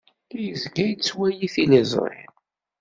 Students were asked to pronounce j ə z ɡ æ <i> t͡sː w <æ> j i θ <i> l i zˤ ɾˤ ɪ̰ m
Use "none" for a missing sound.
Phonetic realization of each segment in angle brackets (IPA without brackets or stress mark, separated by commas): j, æ, i